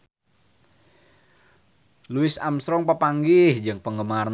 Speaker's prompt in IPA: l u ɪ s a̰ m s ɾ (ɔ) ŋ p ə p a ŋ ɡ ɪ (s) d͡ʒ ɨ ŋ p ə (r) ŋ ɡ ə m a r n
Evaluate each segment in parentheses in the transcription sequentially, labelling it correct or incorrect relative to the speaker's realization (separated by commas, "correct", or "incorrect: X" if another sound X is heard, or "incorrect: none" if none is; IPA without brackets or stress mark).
correct, incorrect: h, incorrect: none